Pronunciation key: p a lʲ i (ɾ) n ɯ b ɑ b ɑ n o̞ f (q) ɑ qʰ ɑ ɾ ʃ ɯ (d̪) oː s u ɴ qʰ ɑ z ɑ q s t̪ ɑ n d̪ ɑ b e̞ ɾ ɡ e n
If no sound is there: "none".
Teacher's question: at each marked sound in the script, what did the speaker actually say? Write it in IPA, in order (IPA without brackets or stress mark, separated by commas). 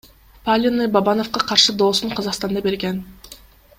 none, q, d̪